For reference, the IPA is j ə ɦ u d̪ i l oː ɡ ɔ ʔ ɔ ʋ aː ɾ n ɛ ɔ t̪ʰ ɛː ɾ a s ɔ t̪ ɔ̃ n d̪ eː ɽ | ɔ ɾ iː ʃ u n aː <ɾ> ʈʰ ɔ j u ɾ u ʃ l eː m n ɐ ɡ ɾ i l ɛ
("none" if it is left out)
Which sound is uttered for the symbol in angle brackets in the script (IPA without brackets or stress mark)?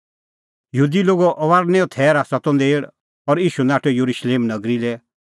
none